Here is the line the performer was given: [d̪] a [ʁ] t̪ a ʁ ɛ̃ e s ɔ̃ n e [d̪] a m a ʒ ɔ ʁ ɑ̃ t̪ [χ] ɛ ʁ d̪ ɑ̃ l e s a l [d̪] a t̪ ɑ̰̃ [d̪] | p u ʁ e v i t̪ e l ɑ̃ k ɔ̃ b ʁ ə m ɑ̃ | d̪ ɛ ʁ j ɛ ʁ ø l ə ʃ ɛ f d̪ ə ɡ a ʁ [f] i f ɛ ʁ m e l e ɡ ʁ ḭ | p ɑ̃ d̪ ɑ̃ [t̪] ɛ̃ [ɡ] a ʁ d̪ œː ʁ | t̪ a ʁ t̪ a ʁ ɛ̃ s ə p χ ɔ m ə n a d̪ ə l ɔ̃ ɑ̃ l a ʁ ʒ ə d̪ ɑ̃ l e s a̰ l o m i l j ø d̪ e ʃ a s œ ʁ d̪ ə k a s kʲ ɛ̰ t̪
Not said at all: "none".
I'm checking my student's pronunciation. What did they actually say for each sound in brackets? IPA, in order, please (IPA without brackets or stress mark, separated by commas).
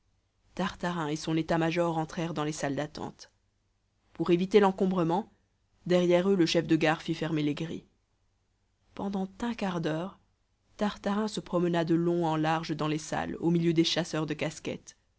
t̪, ʁ, t̪, χ, d̪, t̪, f, t̪, k